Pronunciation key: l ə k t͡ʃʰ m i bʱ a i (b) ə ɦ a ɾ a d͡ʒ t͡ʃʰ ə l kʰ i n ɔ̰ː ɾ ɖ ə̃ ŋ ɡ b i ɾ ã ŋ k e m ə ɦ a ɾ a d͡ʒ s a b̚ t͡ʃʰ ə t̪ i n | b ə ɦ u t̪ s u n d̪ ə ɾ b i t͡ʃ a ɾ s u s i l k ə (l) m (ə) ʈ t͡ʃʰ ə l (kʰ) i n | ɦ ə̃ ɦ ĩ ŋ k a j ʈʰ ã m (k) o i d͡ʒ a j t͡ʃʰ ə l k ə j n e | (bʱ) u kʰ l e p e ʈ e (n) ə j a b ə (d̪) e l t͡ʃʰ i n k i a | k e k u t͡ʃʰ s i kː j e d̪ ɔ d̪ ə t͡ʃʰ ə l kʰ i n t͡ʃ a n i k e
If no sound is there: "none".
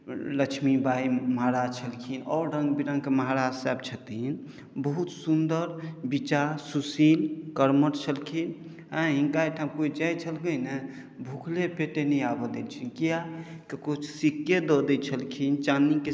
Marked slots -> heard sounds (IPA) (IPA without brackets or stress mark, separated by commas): m, ɾ, ə, kʰ, k, bʱ, n, d̪